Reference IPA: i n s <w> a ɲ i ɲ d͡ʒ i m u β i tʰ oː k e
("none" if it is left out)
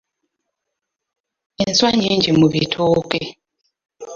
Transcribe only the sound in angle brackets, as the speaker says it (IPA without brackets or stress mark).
w